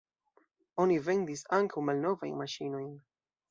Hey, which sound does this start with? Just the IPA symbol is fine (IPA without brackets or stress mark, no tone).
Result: o̞